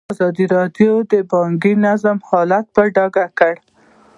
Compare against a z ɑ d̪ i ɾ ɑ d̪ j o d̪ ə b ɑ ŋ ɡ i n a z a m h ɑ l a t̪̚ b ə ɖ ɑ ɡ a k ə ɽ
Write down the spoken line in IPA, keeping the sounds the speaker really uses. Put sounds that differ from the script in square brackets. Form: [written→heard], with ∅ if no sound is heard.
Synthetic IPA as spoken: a z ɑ d̪ i ɾ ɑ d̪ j o d̪ ə b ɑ ŋ ɡ i n a z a m h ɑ l a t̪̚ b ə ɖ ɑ ɡ a k ə ɽ